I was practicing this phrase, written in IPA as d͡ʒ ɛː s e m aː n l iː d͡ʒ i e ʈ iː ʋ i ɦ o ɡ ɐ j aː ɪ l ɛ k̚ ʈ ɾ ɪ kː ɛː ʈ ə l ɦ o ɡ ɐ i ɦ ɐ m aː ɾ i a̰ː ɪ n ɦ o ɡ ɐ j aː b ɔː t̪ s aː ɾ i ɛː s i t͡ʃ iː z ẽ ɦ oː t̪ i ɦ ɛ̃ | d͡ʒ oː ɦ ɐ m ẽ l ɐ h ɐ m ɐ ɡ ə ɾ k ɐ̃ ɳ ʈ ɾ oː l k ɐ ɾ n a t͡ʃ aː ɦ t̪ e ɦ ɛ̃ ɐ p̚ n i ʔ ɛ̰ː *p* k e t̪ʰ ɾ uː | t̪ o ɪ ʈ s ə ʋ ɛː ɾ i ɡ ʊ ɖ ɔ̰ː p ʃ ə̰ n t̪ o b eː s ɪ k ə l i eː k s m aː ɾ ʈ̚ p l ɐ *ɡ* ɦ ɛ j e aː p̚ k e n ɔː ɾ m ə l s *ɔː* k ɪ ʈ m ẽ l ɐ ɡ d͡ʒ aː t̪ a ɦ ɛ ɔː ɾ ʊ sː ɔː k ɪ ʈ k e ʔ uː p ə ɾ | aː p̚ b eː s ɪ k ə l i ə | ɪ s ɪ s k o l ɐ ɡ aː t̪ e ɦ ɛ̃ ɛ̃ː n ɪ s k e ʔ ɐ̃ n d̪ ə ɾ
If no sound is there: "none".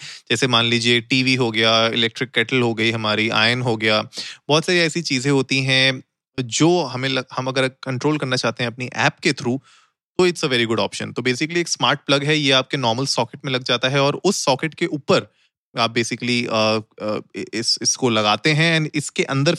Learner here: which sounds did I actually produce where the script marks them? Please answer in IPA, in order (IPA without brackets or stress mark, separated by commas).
p, ɡ, ɔː